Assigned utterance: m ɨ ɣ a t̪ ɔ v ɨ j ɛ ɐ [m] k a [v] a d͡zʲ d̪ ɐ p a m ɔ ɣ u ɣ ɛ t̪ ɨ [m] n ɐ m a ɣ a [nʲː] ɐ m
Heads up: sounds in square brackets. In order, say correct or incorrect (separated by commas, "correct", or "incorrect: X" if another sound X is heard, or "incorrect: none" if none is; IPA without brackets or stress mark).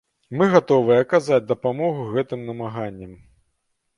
incorrect: none, incorrect: z, correct, correct